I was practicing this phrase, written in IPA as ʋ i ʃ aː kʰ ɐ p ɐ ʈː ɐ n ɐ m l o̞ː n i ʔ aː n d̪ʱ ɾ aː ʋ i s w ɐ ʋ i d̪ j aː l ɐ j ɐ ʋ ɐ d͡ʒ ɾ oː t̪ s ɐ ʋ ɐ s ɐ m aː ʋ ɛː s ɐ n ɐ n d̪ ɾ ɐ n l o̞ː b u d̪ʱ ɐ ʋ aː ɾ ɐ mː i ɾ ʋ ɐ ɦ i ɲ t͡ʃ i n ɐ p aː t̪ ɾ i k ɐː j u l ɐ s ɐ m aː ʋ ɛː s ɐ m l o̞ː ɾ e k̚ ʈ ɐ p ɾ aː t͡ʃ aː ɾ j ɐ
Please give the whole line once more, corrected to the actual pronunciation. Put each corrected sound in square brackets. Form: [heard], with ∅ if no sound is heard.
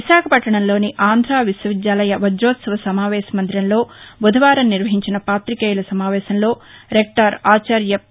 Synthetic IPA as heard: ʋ i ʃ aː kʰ ɐ p ɐ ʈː ɐ [ɳ] ɐ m l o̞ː n i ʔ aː n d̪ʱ ɾ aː ʋ i s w ɐ ʋ i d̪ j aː l ɐ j ɐ ʋ ɐ d͡ʒ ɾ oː t̪ s ɐ ʋ ɐ s ɐ m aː ʋ ɛː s ɐ [m] ɐ n d̪ ɾ ɐ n l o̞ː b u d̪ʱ ɐ ʋ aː ɾ ɐ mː i ɾ ʋ ɐ ɦ i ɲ t͡ʃ i n ɐ p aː t̪ ɾ i k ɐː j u l ɐ s ɐ m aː ʋ ɛː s ɐ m l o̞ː ɾ e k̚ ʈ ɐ [∅] ɾ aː t͡ʃ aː ɾ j ɐ

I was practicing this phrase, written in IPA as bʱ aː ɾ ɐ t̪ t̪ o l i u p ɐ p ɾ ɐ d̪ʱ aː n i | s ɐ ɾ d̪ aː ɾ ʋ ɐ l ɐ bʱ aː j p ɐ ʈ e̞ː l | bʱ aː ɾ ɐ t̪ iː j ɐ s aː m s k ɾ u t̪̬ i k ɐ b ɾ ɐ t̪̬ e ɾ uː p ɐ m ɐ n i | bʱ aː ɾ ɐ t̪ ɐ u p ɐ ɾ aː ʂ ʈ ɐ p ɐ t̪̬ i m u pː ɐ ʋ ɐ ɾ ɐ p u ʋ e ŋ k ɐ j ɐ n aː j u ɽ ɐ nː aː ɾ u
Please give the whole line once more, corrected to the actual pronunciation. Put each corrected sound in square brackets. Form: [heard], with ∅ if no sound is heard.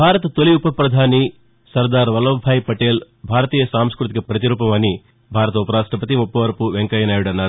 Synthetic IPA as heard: bʱ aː ɾ ɐ t̪ t̪ o l i u p ɐ p ɾ ɐ d̪ʱ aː n i | s ɐ ɾ d̪ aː ɾ ʋ ɐ l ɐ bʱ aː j p ɐ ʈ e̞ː l | bʱ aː ɾ ɐ t̪ iː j ɐ s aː m s k ɾ u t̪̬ i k ɐ [p] ɾ ɐ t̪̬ [i] ɾ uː p ɐ m ɐ n i | bʱ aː ɾ ɐ t̪ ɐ u p ɐ ɾ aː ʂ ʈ ɐ p ɐ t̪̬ i m u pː ɐ ʋ ɐ ɾ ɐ p u ʋ e ŋ k ɐ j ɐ n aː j u ɽ ɐ nː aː ɾ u

